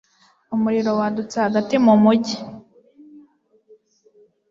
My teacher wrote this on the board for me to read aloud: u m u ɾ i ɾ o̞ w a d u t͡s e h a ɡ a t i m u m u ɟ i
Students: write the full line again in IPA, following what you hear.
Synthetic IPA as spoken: u m u ɾ i ɾ o̞ w a d u t͡s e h a ɡ a t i m u m u ɟ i